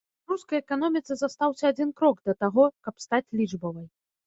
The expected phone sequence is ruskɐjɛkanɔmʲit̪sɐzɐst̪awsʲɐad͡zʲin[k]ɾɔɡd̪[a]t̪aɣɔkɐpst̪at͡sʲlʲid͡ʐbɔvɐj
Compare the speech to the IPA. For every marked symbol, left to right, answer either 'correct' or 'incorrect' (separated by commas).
correct, incorrect